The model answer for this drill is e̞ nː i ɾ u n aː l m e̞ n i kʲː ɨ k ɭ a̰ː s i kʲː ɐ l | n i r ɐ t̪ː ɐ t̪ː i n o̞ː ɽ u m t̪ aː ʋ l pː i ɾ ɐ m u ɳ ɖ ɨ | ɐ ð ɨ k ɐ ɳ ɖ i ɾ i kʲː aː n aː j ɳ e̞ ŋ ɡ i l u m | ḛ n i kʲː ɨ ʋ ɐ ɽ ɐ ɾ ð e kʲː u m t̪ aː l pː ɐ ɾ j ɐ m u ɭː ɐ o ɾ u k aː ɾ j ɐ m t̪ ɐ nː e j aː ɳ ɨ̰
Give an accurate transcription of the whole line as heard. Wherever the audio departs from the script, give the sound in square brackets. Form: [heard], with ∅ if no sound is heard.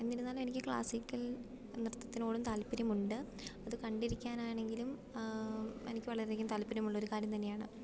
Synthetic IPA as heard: e̞ nː i ɾ u [nː] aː l m e̞ n i kʲː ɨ k ɭ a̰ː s i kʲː ɐ l | n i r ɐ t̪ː ɐ t̪ː i n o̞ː ɽ u m t̪ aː [∅] l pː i ɾ ɐ m u ɳ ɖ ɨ | ɐ ð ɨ k ɐ ɳ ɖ i ɾ i kʲː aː n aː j ɳ e̞ ŋ ɡ i l u m | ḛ n i kʲː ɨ ʋ ɐ [ɭ] ɐ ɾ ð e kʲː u m t̪ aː l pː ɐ ɾ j ɐ m u ɭː ɐ o ɾ u k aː ɾ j ɐ m t̪ ɐ nː e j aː ɳ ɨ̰